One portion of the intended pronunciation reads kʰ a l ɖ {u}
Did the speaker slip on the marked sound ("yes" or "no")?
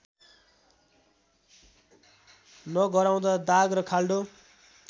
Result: yes